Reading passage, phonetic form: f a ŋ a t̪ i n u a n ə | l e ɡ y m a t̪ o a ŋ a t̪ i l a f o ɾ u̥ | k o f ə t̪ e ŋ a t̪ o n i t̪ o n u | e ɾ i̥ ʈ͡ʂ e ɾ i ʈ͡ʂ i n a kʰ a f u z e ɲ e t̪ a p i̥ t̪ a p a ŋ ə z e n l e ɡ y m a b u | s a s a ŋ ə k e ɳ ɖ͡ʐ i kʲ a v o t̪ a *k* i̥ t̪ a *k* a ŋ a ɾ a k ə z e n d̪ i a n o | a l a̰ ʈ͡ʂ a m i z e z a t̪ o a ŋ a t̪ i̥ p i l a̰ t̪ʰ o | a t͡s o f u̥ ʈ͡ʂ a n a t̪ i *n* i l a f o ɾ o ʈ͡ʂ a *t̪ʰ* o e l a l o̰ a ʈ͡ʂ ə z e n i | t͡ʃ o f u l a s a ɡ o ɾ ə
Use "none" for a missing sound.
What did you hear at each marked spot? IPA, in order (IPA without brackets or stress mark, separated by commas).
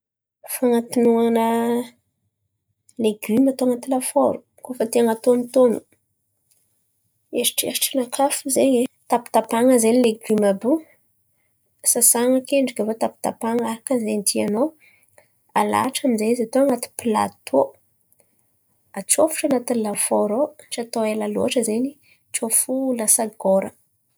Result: p, p, n, t̪